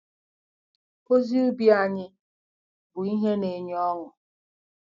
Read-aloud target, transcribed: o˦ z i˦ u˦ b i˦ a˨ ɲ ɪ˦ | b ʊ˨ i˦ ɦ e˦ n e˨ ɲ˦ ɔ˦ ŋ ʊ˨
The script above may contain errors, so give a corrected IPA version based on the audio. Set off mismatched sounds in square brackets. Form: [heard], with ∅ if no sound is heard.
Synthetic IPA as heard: o˦ z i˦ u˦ b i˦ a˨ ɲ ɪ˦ | b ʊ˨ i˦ ɦ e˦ n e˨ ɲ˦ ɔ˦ ŋ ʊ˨